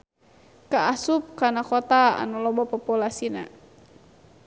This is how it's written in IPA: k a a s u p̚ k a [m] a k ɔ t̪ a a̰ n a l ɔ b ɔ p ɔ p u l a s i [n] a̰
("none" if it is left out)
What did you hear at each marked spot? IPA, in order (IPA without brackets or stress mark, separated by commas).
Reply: n, n